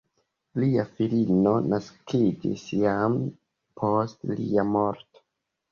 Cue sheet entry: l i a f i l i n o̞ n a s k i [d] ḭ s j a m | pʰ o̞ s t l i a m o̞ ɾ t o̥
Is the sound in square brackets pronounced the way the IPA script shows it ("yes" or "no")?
no